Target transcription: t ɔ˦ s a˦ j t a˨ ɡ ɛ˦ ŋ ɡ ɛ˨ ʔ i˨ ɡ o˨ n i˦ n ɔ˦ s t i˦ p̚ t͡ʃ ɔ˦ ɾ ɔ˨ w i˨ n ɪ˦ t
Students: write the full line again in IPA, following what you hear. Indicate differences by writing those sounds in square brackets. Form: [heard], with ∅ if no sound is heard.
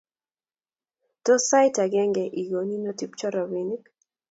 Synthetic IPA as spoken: t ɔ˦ s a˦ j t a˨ ɡ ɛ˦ ŋ ɡ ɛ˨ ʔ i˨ ɡ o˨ n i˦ n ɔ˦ [∅] t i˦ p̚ t͡ʃ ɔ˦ ɾ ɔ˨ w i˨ n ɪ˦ [k]